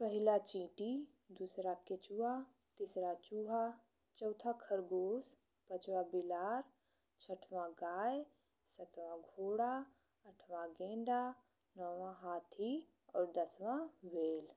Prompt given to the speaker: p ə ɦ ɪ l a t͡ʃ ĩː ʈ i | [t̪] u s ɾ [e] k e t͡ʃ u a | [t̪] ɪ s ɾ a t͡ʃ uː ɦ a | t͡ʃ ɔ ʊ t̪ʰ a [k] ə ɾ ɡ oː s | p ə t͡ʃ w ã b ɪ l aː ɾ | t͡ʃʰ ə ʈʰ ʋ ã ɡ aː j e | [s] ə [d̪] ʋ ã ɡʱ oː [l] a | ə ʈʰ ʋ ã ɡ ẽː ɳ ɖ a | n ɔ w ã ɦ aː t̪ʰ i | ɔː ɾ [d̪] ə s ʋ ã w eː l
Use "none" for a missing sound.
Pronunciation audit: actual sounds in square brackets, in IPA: d̪, a, t̪, kʰ, s, t̪, ɽ, d̪

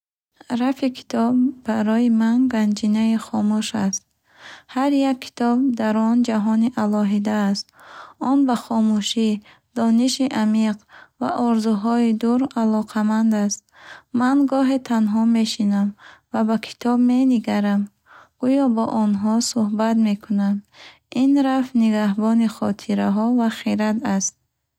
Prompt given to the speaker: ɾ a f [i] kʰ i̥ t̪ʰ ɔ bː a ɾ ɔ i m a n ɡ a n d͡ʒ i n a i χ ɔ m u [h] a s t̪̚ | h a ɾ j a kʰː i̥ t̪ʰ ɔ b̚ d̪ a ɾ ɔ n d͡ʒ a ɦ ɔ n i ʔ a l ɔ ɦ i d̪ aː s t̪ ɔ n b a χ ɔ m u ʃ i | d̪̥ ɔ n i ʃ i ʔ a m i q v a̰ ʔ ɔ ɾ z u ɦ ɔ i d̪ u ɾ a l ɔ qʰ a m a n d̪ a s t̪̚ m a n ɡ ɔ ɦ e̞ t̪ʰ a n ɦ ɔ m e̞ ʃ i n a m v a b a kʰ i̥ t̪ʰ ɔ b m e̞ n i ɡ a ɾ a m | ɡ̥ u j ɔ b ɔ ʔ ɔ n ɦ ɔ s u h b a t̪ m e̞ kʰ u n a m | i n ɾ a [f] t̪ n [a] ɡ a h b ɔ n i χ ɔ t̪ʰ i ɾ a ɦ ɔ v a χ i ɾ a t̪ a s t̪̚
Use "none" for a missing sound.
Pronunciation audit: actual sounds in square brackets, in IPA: i, ʃ, f, i

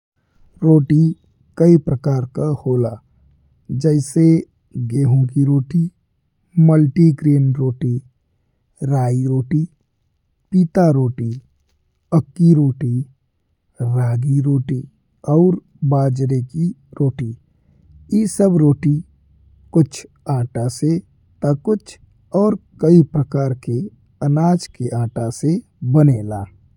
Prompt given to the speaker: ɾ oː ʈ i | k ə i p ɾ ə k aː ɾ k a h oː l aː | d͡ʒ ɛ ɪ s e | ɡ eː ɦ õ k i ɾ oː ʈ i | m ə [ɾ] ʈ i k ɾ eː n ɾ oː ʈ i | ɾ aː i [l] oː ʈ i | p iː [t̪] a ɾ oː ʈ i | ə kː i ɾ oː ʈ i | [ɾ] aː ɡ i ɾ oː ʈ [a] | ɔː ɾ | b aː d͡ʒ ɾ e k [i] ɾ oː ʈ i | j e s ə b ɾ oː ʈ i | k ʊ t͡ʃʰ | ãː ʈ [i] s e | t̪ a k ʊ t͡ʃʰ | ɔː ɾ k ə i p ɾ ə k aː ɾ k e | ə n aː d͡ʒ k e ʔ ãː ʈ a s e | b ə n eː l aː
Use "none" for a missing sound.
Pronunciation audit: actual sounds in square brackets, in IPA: l, ɾ, t̪, ɾ, i, i, a

